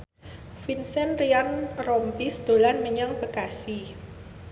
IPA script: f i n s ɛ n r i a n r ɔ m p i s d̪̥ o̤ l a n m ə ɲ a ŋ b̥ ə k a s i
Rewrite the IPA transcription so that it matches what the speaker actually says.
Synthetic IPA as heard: f i n s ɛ n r i a n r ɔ m p i s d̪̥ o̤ l a n m ə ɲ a ŋ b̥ ə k a s i

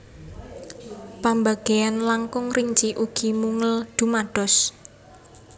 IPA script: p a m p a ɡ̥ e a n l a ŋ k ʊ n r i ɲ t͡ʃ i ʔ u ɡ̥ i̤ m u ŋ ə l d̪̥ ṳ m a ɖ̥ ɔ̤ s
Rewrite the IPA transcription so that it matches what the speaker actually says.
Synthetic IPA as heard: p a m b a ɡ̥ e a n l a ŋ k ʊ ŋ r i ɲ t͡ʃ i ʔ u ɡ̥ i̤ m u ŋ ə l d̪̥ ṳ m a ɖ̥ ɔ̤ s

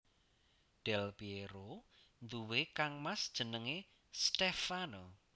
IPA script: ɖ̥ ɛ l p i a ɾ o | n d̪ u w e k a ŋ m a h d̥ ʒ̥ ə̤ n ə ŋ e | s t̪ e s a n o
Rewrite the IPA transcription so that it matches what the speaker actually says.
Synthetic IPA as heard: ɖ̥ ɛ l p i e ɾ o | n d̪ u w e k a ŋ m a s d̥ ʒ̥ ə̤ n ə ŋ e | s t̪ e f a n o

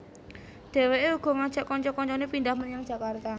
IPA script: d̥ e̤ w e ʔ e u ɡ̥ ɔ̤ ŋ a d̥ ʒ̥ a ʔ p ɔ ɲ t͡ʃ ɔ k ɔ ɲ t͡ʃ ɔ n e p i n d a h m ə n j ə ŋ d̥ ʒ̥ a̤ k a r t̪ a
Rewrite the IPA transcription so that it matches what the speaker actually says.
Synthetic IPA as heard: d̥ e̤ w e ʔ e u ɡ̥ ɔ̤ ŋ a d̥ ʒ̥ a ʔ k ɔ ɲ t͡ʃ ɔ k ɔ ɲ t͡ʃ ɔ n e p i n d a h m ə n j a ŋ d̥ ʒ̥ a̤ k a r t̪ a

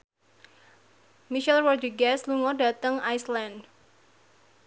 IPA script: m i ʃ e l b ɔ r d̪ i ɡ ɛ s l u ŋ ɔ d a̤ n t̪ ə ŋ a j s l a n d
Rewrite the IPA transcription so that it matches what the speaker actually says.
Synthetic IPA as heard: m i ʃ ɛ l w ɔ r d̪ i ɡ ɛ s l u ŋ ɔ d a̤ t̪ ə ŋ a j s l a n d

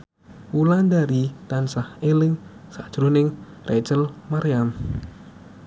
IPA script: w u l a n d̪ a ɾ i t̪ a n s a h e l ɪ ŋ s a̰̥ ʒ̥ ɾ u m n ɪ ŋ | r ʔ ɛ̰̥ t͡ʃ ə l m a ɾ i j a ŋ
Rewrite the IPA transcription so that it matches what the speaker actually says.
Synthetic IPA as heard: w u l a n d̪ a ɾ i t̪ a n s a h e l ɪ ŋ s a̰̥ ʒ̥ ɾ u n ɪ ŋ | r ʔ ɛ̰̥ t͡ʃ ə l m a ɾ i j a m

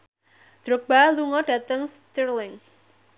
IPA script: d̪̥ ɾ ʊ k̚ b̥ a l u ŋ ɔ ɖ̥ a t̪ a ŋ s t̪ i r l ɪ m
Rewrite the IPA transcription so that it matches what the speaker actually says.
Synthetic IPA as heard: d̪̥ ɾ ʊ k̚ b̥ a l u ŋ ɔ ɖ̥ a t̪ ə ŋ s t̪ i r l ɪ ŋ

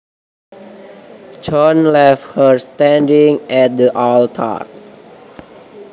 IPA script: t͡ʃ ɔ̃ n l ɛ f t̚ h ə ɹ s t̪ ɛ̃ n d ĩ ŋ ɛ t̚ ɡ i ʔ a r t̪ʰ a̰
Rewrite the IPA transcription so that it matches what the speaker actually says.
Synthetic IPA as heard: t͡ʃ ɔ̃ n l ɛ f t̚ h ə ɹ s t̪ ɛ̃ n d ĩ ŋ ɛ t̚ d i ʔ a l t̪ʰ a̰

